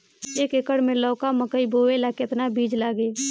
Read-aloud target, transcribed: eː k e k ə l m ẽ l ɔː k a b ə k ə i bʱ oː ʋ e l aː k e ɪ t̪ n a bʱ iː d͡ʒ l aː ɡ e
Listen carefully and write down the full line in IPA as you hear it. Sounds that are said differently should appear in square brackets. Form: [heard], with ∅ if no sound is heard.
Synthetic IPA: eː k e k ə [ɽ] m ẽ l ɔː k a [m] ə k ə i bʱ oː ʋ e l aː k e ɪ t̪ n a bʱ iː d͡ʒ l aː ɡ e